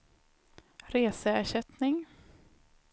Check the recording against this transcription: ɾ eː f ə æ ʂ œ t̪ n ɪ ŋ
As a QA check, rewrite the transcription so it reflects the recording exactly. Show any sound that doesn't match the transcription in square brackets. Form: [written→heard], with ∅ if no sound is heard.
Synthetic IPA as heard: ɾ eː [f→s] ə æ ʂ [œ→ɛ] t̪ n ɪ ŋ